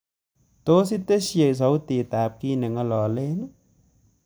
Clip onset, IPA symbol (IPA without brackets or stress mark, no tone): t̪